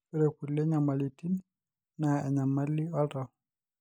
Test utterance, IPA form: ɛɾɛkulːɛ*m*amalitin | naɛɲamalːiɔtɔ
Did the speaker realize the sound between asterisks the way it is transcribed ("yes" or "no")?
no